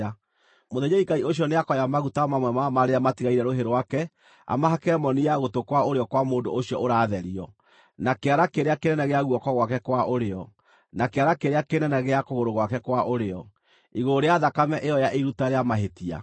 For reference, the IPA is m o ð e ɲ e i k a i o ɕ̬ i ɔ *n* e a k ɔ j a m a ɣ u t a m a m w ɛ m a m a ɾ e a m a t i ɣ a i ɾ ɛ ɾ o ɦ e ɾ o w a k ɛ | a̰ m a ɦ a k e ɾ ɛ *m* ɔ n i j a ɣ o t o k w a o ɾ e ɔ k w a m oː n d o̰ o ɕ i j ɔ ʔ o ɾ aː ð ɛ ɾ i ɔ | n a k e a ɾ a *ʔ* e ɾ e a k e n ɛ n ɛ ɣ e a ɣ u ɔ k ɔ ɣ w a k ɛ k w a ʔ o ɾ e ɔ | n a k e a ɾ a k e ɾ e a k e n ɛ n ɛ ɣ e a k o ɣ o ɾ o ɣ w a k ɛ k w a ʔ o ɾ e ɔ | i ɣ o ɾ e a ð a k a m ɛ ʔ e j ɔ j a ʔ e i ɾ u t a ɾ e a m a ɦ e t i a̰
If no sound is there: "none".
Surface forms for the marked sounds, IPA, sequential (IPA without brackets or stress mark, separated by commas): n, m, k